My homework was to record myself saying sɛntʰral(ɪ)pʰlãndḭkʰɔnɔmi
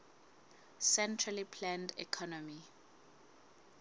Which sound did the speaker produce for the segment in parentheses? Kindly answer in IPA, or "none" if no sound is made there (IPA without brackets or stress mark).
i